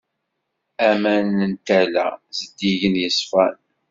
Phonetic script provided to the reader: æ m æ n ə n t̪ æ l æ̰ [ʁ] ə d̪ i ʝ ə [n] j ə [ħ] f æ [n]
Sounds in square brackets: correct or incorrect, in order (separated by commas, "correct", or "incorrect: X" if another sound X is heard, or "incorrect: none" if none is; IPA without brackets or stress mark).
incorrect: z, correct, incorrect: s, correct